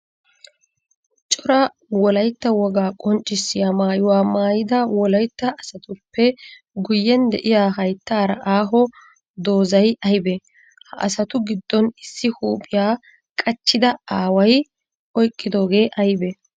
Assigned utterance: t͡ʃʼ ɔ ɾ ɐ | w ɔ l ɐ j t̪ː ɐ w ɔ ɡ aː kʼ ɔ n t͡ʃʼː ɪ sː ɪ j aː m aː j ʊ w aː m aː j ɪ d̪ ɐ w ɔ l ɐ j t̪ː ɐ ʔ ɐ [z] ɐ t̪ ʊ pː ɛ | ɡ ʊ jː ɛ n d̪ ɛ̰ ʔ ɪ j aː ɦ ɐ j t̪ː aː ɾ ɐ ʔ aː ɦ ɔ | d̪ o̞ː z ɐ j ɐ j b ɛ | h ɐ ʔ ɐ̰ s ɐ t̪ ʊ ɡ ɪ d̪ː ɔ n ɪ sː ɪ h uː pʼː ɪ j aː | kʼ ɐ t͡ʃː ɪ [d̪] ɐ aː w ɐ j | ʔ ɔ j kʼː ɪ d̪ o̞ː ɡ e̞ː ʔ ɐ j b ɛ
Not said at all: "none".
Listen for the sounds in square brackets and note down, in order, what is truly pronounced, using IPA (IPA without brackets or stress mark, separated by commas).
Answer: s, d̪